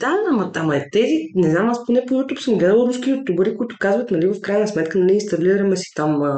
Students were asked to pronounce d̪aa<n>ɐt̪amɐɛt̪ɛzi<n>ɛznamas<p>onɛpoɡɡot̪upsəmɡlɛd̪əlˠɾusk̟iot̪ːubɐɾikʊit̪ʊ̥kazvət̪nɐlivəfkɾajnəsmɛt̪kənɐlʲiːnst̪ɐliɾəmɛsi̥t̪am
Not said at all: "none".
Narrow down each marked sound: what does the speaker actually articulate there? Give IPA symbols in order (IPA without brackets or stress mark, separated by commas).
m, n, p